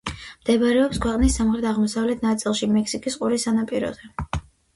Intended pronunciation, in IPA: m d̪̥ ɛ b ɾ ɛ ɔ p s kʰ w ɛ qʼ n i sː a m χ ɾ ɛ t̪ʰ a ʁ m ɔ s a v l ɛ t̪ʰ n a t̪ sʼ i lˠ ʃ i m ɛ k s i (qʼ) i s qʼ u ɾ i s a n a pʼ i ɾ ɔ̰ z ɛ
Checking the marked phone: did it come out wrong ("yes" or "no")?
yes